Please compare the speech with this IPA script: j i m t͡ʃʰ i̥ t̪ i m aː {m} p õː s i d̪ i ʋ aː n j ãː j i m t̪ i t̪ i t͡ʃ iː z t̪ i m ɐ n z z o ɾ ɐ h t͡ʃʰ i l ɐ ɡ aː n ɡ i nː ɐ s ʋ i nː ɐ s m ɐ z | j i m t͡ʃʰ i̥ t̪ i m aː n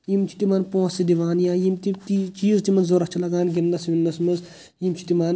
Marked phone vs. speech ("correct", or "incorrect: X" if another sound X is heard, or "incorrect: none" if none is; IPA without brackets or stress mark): incorrect: n